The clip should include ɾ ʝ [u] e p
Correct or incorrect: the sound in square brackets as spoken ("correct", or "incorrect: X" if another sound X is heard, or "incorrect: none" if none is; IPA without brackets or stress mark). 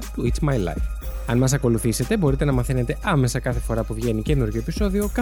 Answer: incorrect: o